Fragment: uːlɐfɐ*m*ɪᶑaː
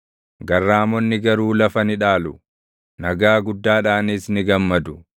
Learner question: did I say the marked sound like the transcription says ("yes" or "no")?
no